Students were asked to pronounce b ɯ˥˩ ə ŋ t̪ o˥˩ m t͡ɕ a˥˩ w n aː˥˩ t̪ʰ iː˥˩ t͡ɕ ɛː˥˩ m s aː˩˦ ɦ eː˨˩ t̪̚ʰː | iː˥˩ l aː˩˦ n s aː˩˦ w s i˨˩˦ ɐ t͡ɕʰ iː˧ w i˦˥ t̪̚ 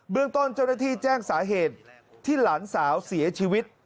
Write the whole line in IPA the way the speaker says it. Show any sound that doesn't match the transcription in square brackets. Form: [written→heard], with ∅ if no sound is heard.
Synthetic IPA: b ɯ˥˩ ə ŋ t̪ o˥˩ [m→n] t͡ɕ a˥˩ w n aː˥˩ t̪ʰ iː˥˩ t͡ɕ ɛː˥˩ [m→ŋ] s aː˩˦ ɦ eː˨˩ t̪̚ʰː | iː˥˩ l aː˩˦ n s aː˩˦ w s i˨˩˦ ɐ t͡ɕʰ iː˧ w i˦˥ t̪̚